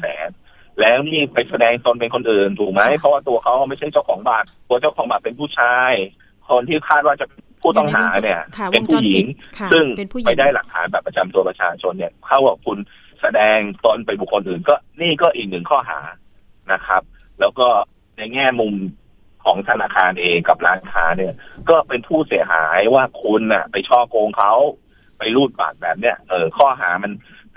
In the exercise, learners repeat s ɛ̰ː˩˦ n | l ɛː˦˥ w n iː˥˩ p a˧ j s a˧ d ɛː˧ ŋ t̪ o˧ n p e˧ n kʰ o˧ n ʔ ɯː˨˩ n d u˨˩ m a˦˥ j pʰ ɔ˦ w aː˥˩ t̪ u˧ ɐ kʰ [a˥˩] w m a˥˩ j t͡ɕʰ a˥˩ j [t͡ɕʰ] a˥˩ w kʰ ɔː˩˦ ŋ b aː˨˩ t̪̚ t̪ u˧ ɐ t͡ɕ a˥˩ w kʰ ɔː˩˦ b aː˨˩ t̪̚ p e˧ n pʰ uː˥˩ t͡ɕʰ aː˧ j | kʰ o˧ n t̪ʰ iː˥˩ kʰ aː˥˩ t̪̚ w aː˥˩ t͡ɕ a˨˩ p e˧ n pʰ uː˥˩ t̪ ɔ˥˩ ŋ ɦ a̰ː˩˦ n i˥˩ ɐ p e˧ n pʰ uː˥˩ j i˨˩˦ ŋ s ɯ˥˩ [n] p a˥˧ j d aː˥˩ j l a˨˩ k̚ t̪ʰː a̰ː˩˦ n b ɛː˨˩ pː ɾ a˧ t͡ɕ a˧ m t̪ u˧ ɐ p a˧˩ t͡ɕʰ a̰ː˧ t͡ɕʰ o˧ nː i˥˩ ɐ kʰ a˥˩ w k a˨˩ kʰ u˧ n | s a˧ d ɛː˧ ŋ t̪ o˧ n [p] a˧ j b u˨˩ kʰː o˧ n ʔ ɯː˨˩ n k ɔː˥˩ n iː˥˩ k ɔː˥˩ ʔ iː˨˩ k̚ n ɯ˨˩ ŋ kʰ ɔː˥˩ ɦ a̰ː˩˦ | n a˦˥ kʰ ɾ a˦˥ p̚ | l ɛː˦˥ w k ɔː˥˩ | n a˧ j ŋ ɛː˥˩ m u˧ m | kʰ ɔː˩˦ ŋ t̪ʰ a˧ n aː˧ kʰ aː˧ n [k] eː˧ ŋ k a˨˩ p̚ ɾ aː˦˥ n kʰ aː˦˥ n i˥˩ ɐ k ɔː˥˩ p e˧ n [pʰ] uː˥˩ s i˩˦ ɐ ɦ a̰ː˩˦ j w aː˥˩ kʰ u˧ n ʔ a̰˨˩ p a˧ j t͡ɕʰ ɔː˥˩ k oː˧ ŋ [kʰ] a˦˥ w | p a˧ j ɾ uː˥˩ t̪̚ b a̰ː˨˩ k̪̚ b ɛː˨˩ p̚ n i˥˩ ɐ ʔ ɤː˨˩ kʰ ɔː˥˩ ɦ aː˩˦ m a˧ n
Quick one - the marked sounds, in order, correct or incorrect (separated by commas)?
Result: incorrect, incorrect, incorrect, correct, incorrect, correct, correct